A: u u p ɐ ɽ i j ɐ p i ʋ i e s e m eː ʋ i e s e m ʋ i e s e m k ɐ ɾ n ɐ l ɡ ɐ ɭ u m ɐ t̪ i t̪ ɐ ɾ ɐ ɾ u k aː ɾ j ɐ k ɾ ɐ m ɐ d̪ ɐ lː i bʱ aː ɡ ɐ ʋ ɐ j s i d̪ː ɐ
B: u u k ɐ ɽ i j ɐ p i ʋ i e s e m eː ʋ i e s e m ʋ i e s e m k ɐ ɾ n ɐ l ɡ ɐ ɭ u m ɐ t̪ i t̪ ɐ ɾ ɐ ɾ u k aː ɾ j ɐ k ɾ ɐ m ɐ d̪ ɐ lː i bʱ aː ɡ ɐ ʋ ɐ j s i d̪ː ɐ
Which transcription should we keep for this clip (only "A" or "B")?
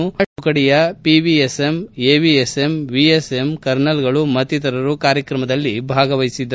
B